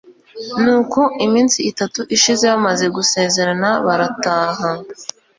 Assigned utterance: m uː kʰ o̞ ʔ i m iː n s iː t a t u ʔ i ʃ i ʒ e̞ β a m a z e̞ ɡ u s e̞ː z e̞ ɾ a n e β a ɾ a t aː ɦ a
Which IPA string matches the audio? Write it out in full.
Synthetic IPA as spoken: n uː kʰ o̞ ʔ i m iː n s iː t a t u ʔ i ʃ i z e̞ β a m a z e̞ ɡ u s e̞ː z e̞ ɾ a n a β a ɾ a t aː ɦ a

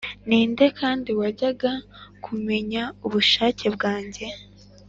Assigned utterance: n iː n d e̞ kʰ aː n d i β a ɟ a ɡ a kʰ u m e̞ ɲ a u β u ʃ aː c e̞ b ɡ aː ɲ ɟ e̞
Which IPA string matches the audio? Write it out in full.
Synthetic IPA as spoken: n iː n d e̞ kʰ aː n d i w a ɟ a ɡ a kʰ u m e̞ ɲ a u β u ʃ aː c e̞ b ɡ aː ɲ ɟ e̞

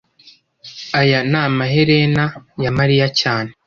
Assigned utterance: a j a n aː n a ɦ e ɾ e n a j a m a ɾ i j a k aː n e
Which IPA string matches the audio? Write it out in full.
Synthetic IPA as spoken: a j a n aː m a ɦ e ɾ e n a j a m a ɾ i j a c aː n e

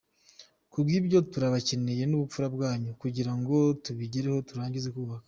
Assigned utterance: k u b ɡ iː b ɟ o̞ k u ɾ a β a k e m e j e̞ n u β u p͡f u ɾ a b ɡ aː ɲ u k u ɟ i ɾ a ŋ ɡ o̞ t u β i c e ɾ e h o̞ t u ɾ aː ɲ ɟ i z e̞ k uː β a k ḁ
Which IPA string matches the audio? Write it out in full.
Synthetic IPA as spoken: k u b ɡ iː b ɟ o̞ t u ɾ a β a c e n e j e̞ n u β u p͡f u ɾ a b ɡ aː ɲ u k u ɟ i ɾ a ŋ ɡ o̞ t u β i ɟ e ɾ e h o̞ t u ɾ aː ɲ ɟ i z e̞ k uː β a k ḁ

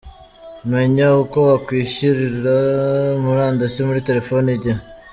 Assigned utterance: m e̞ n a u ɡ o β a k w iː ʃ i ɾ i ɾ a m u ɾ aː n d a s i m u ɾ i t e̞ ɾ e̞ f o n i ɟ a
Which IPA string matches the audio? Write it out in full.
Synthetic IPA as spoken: m e̞ ɲ a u k o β a k w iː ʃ i ɾ i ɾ a m u ɾ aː n d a s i m u ɾ i t e̞ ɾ e̞ f o n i ɟ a

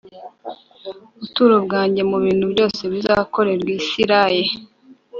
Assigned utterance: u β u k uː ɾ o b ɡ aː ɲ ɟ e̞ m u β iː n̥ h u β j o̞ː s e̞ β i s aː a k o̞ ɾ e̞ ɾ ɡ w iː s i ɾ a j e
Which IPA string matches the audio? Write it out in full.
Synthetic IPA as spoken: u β u t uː ɾ o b ɡ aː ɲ ɟ e̞ m u β iː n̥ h u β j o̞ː s e̞ β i z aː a k o̞ ɾ e̞ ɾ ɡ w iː s i ɾ a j e

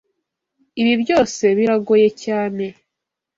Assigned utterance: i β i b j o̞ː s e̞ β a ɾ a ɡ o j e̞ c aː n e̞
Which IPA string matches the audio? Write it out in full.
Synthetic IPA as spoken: i β i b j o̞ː s e̞ β i ɾ a ɡ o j e̞ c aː n e̞

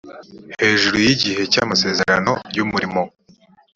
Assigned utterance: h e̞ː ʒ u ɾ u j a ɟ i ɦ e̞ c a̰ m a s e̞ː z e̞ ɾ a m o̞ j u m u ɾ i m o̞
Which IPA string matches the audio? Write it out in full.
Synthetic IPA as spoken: h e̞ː ʒ u ɾ u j i ɟ i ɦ e̞ c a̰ m a s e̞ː z e̞ ɾ a n o̞ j u m u ɾ i m o̞

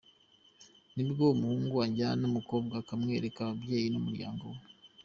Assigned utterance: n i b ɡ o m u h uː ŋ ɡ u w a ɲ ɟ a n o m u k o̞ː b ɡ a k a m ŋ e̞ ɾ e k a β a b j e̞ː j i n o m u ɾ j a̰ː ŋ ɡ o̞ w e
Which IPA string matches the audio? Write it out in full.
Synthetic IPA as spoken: n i b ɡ o m u h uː ŋ ɡ u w a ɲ ɟ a n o m u k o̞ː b ɡ a k a m ŋ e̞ ɾ e k a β a b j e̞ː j i n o m u ɾ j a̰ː ŋ ɡ o̞ w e

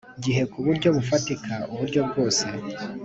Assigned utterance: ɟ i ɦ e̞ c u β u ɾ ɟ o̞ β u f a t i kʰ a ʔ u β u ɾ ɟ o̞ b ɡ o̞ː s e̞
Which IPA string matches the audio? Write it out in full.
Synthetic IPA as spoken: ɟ i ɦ e̞ k u β u ɾ ɟ o̞ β u f a t i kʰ a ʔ u β u ɾ ɟ o̞ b ɡ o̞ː s e̞

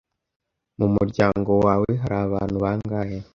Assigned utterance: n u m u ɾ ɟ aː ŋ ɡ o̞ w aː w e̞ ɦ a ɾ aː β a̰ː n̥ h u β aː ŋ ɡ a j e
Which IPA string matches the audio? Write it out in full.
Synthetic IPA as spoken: m u m u ɾ ɟ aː ŋ ɡ o̞ w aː w e̞ ɦ a ɾ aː β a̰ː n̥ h u β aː ŋ ɡ a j e

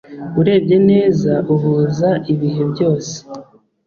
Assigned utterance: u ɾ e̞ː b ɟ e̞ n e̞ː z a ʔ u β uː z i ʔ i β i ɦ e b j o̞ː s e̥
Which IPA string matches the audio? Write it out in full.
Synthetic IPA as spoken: u ɾ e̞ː b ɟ e̞ n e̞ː z a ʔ u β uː z a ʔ i β i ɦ e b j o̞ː s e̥

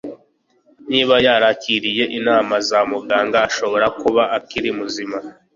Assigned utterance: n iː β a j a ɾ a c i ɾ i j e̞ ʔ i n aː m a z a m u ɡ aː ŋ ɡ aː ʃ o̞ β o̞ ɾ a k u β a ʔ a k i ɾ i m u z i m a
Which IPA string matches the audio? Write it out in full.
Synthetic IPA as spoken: n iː β a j a ɾ a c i ɾ i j e̞ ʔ i n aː m a z a m u ɡ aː ŋ ɡ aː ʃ o̞ β o̞ ɾ a k u β a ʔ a k i ɾ i m u z i m a

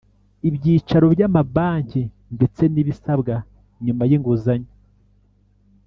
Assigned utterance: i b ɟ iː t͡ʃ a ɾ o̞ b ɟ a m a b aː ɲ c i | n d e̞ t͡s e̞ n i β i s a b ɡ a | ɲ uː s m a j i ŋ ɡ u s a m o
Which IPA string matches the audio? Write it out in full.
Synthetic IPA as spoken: i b ɟ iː t͡ʃ a ɾ o̞ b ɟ a m a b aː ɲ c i | n d e̞ t͡s e̞ n i β i s a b ɡ a | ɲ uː m a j i ŋ ɡ u z a ɲ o

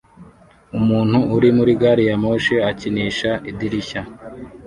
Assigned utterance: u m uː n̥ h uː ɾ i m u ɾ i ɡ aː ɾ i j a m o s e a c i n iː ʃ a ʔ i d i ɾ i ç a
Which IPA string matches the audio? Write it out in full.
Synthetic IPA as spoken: u m uː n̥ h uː ɾ i m u ɾ i ɡ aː ɾ i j a m o ʃ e a c i n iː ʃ a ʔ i d i ɾ i ç a

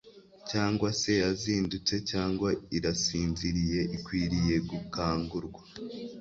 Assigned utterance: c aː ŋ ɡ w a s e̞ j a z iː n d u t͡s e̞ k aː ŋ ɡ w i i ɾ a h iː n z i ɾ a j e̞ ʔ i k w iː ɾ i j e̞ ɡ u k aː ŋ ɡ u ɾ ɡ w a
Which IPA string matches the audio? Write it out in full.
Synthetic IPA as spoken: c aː ŋ ɡ w a s e̞ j a z iː n d u t͡s e̞ c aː ŋ ɡ w a i ɾ a s iː n z i ɾ i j e̞ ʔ i k w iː ɾ i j e̞ ɡ u k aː ŋ ɡ u ɾ ɡ w a

